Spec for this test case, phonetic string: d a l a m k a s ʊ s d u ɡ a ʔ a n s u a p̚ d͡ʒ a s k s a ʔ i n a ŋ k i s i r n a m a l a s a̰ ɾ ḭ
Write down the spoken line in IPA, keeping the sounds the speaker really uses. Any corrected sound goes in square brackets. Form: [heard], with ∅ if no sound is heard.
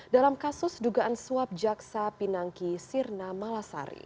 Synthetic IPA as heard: d a l a m k a s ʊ s d u ɡ a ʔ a n s u a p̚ d͡ʒ a [∅] k s a [p] i n a ŋ k i s i r n a m a l a s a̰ ɾ ḭ